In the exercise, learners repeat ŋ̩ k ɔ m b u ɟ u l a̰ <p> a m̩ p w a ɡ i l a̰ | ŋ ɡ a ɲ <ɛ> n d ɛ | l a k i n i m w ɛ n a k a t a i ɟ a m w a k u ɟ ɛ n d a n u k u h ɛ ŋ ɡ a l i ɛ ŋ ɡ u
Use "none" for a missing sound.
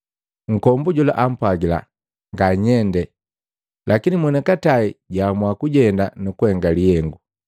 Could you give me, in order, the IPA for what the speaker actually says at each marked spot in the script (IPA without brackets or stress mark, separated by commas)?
ʔ, ɛ